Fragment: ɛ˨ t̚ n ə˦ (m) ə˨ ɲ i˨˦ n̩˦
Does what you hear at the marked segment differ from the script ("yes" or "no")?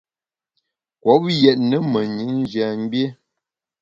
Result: no